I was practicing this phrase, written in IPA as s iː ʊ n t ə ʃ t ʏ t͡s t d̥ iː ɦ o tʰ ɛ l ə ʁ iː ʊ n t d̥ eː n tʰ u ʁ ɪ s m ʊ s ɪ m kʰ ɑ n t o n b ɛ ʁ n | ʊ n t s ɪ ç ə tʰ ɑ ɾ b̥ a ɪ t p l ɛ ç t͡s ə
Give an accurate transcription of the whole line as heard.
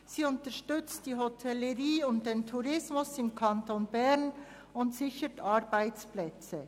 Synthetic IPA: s iː ʊ n t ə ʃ t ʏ t͡s t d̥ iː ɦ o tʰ ɛ l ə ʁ iː ʊ n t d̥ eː n tʰ u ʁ ɪ s m ʊ s ɪ m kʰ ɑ n t o n b ɛ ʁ n | ʊ n t s ɪ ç ə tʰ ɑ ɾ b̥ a ɪ t͡s p l ɛ t͡s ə